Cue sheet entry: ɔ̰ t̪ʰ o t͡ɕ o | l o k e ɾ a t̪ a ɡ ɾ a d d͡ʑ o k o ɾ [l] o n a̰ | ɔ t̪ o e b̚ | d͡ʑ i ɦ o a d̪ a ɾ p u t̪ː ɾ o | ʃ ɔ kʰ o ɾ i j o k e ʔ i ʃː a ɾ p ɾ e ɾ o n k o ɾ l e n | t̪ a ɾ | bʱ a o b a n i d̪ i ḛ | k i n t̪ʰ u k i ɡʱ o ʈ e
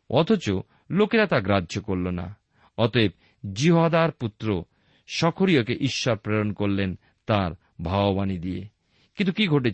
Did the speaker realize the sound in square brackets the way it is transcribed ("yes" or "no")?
yes